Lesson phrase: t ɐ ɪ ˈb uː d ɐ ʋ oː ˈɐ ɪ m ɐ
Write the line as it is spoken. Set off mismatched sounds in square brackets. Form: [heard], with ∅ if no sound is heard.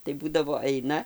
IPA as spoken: t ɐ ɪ ˈb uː d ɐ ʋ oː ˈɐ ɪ [n] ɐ